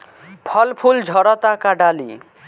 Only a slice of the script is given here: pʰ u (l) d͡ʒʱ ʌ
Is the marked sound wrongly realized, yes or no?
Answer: no